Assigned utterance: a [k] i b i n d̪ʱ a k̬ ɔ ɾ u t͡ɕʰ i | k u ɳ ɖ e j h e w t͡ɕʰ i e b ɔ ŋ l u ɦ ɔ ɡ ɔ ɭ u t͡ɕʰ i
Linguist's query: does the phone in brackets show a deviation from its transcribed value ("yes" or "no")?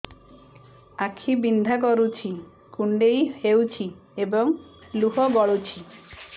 yes